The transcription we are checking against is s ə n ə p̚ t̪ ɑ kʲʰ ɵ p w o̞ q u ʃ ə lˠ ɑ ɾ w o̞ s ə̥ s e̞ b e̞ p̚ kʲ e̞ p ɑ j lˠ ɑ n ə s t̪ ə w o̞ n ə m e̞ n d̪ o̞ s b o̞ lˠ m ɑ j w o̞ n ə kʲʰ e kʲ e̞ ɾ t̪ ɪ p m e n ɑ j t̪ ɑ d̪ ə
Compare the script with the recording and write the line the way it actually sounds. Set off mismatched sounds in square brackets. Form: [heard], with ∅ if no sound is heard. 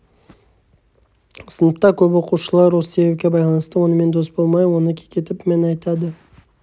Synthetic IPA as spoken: s ə n ə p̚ t̪ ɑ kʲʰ ɵ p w o̞ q u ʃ ə lˠ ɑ ɾ w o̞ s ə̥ s e̞ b e̞ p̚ kʲ e̞ [b] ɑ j lˠ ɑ n ə s t̪ ə w o̞ n ə m e̞ n d̪ o̞ s b o̞ lˠ m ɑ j w o̞ n ə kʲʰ e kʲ e̞ [∅] t̪ ɪ p m e n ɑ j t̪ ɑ d̪ ə